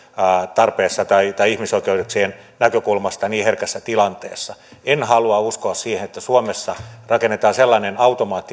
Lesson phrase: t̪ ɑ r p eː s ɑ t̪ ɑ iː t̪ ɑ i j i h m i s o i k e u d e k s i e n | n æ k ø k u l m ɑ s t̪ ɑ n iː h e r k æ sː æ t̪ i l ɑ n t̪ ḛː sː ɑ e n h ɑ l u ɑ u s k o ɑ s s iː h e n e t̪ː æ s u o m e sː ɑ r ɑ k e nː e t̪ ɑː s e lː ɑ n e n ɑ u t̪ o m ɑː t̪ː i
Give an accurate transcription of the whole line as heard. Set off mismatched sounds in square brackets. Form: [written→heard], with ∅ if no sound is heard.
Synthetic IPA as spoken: t̪ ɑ r p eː [s→sː] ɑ t̪ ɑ [iː→i] t̪ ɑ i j i h m i s o i k e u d e k s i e n | n æ k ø k u l m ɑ s t̪ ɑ n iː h e r k æ sː æ t̪ i l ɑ n t̪ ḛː sː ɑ e n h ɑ l u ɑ u s k o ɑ s s iː h e n e t̪ː æ s u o m e sː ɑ r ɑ k e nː e t̪ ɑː s e lː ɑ n e n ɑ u t̪ o m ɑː t̪ː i